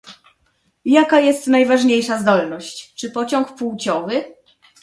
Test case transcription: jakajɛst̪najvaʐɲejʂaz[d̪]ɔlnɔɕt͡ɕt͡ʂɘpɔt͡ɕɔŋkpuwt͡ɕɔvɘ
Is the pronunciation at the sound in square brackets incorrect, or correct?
correct